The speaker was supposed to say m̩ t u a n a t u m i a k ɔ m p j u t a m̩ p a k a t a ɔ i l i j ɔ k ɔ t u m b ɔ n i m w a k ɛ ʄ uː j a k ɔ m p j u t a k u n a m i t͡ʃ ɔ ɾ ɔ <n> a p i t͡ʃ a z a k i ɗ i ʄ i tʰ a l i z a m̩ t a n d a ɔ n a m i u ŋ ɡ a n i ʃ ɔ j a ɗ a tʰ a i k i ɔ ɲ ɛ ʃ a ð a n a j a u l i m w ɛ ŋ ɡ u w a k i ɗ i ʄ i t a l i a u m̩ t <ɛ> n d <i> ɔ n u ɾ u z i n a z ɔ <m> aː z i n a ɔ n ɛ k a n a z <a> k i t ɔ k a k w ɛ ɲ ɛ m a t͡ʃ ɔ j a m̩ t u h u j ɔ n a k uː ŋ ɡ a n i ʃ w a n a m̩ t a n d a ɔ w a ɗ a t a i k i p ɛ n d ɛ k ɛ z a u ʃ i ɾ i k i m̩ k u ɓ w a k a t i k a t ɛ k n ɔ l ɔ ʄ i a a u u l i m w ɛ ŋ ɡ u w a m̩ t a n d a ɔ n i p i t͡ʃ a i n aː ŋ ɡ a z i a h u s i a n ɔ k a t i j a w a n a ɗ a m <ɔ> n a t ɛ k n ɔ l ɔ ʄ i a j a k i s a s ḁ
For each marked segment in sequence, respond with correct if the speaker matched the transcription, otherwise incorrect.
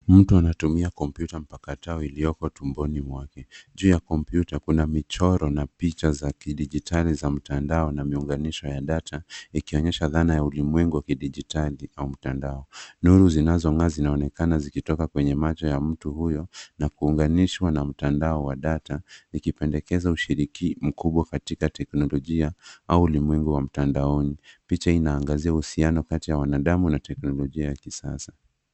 correct, incorrect: a, incorrect: a, incorrect: ŋ, incorrect: i, incorrect: u

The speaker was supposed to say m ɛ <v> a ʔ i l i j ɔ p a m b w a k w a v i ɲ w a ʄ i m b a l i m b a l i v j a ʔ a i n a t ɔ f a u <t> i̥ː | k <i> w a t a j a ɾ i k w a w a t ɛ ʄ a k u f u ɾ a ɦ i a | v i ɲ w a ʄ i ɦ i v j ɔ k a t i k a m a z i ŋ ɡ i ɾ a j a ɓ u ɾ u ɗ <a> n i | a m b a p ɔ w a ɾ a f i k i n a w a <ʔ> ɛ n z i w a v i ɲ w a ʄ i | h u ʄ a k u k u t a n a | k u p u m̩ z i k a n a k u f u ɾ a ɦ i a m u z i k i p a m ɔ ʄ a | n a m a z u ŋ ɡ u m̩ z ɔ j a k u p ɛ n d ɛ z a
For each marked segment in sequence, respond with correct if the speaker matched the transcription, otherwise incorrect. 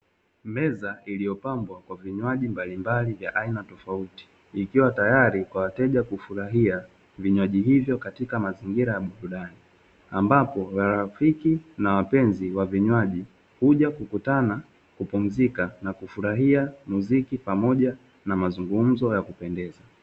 incorrect: z, correct, correct, correct, incorrect: p

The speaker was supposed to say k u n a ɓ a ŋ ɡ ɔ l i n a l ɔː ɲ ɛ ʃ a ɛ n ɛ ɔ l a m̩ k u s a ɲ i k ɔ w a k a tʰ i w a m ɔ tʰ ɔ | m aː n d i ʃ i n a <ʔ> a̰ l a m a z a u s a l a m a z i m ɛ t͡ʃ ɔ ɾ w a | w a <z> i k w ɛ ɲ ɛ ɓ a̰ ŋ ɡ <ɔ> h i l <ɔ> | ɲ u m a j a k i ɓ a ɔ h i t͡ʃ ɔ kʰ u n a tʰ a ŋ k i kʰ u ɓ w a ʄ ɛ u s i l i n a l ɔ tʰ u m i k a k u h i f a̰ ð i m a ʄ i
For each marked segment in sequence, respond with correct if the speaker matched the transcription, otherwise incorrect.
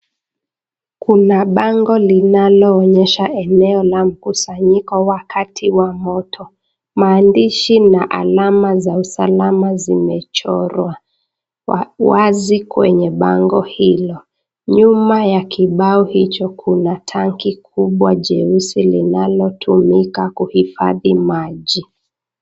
correct, correct, correct, correct

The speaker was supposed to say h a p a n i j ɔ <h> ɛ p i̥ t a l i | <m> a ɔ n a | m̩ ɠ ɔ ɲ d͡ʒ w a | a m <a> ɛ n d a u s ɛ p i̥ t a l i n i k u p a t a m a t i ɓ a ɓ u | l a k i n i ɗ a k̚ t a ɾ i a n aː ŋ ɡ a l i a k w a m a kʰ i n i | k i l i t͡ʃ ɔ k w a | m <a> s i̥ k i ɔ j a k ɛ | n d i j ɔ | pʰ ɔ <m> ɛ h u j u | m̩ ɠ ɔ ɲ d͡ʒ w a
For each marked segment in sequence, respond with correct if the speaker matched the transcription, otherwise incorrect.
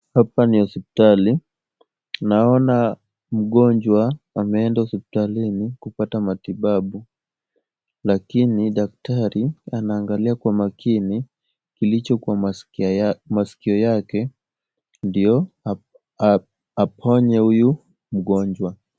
incorrect: s, incorrect: n, incorrect: ɛ, correct, incorrect: ɲ

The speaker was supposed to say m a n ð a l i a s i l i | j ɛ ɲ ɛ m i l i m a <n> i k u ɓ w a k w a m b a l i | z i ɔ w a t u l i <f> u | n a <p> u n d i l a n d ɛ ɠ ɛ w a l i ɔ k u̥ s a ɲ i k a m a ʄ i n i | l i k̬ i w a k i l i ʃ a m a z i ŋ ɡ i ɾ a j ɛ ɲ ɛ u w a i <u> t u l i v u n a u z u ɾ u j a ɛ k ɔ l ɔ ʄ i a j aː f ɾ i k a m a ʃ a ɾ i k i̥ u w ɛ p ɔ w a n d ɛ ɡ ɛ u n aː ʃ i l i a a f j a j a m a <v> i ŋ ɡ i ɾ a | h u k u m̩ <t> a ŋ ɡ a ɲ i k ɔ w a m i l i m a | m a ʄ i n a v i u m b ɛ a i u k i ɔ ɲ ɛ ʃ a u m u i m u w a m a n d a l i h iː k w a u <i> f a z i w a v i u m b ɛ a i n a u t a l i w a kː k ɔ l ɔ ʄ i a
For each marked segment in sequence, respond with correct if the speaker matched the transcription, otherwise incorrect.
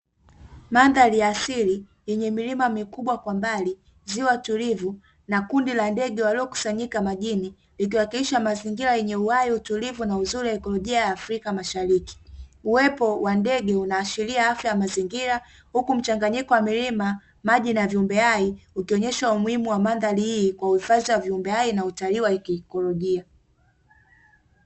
incorrect: m, incorrect: v, incorrect: k, correct, incorrect: z, incorrect: t͡ʃ, correct

